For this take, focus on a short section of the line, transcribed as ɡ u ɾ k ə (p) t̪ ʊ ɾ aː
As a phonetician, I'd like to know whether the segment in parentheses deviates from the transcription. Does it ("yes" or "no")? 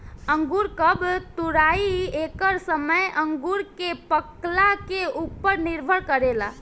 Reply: yes